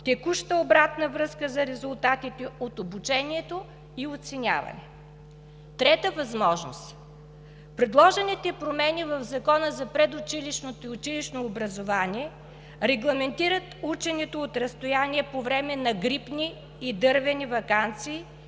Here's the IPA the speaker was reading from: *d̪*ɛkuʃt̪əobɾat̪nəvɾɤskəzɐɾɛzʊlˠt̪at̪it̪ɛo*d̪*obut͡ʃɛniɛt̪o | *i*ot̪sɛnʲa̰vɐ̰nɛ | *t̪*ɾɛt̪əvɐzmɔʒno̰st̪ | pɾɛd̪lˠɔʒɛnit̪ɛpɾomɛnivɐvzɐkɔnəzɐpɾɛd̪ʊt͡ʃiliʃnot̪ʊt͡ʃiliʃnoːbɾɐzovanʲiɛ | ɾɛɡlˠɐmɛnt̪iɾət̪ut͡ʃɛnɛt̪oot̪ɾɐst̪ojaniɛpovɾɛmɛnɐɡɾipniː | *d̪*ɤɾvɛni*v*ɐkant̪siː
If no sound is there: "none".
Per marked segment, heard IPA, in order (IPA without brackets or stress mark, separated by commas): t̪, t̪, i, t̪, d̪, v